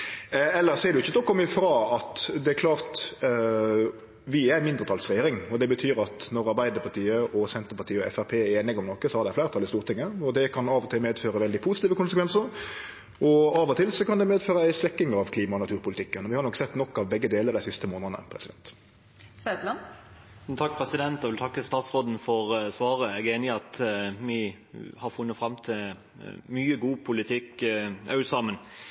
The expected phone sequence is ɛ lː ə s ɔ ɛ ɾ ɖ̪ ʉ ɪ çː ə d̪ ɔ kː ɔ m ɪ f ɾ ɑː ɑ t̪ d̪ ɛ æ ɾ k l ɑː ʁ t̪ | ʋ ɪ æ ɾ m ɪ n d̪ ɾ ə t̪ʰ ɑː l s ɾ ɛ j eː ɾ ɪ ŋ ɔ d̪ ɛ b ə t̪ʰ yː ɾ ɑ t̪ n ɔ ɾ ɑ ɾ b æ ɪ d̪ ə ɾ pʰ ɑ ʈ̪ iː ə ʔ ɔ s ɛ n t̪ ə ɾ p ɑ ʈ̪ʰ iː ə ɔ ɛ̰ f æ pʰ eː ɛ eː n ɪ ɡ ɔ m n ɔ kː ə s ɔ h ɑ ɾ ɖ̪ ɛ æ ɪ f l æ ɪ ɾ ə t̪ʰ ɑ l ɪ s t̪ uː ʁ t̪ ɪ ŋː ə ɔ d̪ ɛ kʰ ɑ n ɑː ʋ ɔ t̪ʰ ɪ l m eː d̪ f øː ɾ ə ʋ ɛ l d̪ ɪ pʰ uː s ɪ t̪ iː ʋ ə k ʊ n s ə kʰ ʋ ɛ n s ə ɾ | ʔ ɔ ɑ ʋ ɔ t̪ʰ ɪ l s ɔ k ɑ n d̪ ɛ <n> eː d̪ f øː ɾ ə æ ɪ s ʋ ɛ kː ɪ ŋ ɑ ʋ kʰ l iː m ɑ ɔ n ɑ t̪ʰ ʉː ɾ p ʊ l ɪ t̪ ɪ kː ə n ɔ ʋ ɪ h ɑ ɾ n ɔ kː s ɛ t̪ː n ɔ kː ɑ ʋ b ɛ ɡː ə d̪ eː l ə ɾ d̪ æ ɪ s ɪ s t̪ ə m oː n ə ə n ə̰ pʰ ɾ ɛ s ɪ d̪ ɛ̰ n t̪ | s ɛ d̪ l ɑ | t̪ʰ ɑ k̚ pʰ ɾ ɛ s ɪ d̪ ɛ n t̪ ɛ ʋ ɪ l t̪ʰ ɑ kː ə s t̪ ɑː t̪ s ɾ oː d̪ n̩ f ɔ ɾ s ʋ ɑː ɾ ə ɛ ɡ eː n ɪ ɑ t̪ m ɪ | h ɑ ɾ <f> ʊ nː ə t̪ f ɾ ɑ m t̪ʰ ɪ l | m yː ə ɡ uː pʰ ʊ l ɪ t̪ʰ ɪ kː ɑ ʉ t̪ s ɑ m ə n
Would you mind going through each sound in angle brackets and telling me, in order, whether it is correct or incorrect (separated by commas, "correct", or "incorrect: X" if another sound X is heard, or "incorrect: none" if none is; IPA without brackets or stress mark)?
incorrect: m, correct